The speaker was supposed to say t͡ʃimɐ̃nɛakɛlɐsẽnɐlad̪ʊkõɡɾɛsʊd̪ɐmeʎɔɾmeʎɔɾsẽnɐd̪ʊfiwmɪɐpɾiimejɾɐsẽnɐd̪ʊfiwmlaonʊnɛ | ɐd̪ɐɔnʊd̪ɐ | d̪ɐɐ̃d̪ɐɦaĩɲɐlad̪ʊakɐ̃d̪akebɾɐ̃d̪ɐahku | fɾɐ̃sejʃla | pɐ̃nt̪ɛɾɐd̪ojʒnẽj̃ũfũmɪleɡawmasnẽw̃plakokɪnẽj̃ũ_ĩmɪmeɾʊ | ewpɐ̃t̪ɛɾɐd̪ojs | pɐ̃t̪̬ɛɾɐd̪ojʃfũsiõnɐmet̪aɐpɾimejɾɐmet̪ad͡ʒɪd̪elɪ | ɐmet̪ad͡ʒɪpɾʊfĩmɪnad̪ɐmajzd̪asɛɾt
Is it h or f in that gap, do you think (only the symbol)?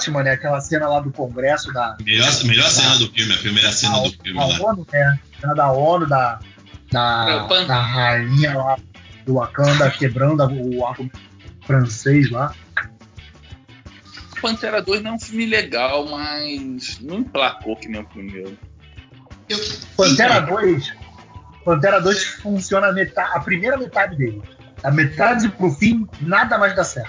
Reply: f